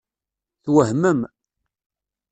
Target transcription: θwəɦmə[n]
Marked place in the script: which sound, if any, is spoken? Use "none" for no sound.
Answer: m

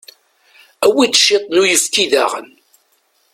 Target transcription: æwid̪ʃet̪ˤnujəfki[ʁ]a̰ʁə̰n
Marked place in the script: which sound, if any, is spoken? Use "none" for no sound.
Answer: ð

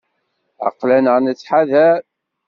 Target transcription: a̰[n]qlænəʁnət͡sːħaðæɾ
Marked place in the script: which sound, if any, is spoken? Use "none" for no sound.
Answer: none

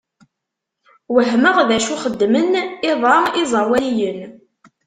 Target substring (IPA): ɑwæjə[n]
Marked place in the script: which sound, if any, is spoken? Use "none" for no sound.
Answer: n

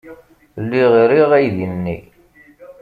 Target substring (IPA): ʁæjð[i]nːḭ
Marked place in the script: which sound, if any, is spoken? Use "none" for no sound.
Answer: i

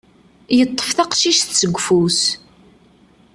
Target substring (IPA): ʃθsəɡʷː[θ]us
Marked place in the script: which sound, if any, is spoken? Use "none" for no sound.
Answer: f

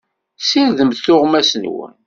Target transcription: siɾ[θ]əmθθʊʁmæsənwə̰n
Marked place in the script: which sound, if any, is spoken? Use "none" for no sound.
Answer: ð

